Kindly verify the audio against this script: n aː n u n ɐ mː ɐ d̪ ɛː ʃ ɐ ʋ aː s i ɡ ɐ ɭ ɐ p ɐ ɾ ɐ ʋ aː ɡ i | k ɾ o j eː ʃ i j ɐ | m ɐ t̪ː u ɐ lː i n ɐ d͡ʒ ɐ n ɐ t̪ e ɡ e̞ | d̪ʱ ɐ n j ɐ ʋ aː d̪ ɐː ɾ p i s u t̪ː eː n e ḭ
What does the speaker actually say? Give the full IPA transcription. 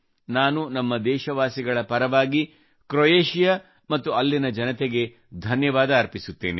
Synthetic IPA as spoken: n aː n u n ɐ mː ɐ d̪ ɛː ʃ ɐ ʋ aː s i ɡ ɐ ɭ ɐ p ɐ ɾ ɐ ʋ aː ɡ i | k ɾ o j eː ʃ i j ɐ | m ɐ t̪ː u ɐ lː i n ɐ d͡ʒ ɐ n ɐ t̪ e ɡ e̞ | d̪ʱ ɐ n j ɐ ʋ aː d̪ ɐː ɾ p i s u t̪ː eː n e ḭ